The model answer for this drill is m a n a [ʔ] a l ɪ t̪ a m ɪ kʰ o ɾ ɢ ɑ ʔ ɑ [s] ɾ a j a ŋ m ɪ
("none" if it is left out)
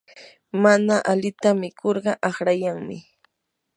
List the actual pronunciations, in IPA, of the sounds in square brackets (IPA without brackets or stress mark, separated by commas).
ʔ, χ